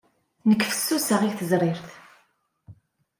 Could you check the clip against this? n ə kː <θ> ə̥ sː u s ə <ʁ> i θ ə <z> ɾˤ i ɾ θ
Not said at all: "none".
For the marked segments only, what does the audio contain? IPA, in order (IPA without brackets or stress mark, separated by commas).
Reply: f, ʁ, z